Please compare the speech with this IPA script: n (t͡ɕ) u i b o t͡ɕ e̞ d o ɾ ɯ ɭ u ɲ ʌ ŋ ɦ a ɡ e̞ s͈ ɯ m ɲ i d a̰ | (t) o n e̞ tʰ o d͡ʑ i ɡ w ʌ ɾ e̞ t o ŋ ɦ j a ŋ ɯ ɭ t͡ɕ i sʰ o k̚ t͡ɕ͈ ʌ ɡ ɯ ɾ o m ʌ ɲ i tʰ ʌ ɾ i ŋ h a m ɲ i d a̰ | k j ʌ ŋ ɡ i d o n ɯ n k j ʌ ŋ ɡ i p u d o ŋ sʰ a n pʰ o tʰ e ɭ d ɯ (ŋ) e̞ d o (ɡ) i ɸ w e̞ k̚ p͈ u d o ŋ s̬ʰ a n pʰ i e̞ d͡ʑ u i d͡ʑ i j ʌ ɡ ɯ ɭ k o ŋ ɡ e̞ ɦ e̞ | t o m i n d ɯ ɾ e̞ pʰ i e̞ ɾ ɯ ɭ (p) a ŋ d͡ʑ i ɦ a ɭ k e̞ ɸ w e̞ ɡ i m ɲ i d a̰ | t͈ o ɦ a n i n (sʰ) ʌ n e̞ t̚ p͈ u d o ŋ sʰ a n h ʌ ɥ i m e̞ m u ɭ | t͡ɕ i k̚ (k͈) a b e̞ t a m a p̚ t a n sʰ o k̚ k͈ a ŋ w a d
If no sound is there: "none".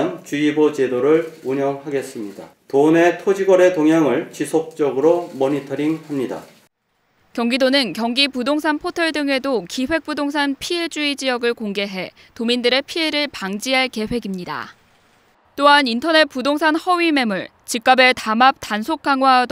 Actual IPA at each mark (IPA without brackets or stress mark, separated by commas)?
t͡ɕ, t, ŋ, k, p, tʰ, k͈